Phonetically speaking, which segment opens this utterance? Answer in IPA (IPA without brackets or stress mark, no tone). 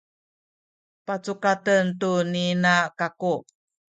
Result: p